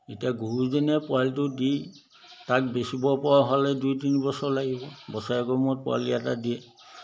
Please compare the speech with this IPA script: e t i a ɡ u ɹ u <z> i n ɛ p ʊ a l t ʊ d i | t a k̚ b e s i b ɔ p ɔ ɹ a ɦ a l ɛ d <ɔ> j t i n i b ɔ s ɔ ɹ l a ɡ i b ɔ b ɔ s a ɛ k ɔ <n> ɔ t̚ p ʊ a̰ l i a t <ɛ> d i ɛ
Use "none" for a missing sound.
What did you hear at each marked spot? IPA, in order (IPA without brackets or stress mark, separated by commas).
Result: z, u, m, a